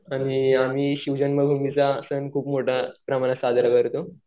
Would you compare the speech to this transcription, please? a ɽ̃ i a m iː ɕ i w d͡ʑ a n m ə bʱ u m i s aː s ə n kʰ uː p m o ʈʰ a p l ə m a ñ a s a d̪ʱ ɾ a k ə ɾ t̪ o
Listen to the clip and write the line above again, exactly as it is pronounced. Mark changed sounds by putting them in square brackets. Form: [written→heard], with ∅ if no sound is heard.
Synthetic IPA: a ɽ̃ i a m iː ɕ i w d͡ʑ [a→ə] n m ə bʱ u m i [s→t͡s] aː s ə n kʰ uː p m o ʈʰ a p [l→ɾ] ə m a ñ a s a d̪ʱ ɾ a k ə ɾ t̪ o